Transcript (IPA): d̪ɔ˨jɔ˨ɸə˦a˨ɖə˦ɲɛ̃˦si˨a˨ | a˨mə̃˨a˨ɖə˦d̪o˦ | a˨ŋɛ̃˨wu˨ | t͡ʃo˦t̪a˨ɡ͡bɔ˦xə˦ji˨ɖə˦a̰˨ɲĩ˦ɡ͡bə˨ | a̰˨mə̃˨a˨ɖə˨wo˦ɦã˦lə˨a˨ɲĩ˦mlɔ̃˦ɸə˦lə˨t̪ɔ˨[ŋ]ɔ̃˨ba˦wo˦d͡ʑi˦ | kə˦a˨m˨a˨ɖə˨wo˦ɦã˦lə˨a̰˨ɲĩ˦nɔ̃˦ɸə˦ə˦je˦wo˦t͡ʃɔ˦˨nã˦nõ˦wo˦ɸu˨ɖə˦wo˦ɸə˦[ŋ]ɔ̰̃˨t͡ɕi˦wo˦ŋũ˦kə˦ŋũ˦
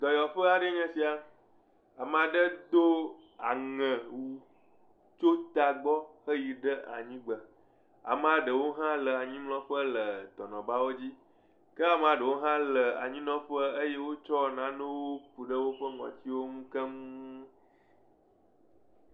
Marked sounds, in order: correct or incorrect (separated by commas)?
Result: incorrect, correct